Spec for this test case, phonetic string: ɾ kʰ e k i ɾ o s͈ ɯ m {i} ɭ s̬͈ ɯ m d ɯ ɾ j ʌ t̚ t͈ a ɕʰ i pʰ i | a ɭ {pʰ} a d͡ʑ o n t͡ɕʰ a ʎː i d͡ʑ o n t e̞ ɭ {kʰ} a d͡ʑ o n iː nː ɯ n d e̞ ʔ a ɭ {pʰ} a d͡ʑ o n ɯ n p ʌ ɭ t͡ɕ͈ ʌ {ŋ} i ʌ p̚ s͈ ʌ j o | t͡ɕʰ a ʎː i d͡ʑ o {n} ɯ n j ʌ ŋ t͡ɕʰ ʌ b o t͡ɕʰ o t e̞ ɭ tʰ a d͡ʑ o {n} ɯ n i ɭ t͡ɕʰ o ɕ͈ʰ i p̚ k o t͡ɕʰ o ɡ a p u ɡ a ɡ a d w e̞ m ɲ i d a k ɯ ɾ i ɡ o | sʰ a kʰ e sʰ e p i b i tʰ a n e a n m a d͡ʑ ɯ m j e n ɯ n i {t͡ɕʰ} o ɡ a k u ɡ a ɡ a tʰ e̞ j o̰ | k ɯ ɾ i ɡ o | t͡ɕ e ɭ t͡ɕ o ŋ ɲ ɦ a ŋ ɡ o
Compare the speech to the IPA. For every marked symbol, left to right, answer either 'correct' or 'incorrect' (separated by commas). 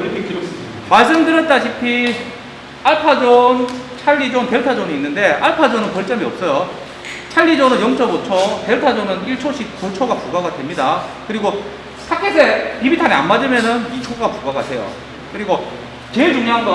incorrect, correct, incorrect, correct, incorrect, correct, correct, correct